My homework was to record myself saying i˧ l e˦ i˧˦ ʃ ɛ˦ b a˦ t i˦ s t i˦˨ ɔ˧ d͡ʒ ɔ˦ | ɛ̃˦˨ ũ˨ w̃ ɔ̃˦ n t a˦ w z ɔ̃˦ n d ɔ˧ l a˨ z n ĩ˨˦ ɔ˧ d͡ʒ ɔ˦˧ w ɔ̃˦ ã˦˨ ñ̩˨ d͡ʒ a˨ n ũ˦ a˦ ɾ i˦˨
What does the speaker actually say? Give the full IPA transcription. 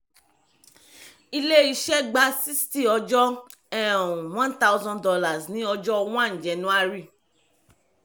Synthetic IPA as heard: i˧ l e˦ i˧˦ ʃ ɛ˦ ɡ͡b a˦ s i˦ s t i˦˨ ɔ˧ d͡ʒ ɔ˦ | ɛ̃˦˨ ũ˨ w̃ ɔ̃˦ n t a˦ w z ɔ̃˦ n d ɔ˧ l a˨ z n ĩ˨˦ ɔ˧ d͡ʒ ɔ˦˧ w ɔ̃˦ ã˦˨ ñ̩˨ d͡ʒ ɛ˨ n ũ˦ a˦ ɾ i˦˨